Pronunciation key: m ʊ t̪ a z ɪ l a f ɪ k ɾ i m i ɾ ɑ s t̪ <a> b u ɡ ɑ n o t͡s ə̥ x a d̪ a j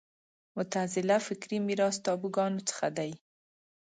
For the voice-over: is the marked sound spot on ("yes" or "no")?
no